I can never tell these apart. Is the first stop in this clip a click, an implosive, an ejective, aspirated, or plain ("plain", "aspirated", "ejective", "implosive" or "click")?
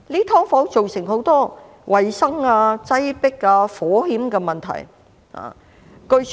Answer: aspirated